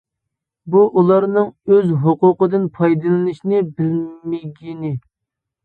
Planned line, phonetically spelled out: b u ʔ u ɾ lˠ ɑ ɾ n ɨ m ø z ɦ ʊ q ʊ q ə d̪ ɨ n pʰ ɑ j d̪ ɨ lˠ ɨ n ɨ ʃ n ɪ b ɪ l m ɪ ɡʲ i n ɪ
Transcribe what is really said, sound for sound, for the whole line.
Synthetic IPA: b u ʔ u lˠ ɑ ɾ n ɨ ŋ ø z ɦ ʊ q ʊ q ə d̪ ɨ n pʰ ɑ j d̪ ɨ lˠ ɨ n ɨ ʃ n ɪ b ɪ l m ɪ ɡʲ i n ɪ